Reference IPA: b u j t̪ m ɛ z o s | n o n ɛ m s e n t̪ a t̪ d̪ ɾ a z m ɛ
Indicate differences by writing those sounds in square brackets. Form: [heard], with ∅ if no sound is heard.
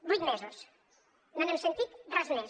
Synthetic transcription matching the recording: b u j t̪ m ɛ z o s | n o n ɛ m s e n t̪ [i] t̪ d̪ ɾ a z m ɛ